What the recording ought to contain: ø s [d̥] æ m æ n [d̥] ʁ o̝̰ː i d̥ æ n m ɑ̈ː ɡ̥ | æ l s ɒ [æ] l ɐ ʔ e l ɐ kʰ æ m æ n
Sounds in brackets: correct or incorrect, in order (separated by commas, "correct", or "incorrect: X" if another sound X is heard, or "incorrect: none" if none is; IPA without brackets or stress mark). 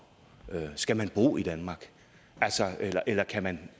incorrect: ɡ̥, incorrect: b̥, incorrect: e